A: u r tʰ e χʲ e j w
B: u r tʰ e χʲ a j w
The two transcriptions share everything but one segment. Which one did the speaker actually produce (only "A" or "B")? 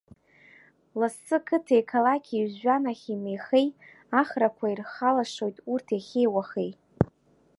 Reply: A